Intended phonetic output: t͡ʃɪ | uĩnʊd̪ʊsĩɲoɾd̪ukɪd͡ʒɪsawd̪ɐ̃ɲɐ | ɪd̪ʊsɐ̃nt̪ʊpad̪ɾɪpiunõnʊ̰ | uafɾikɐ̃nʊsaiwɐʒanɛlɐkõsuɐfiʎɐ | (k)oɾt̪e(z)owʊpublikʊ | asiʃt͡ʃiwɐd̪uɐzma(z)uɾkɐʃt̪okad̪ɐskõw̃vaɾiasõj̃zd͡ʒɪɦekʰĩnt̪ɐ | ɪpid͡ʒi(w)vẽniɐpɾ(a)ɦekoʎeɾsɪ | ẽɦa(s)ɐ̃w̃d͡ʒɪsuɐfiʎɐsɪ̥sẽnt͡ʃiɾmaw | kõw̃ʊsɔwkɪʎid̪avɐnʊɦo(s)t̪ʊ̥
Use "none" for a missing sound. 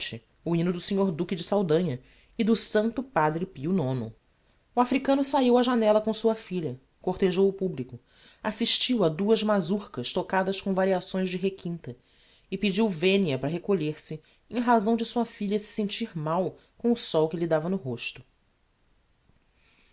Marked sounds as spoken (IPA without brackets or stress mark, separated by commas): k, ʒ, z, w, ɐ, z, ʃ